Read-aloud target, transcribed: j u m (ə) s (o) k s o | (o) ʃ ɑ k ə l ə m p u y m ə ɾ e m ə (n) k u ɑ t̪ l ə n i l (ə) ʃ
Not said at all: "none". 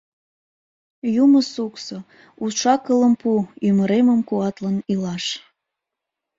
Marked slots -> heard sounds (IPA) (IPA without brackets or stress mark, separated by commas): ə, u, u, m, ɑ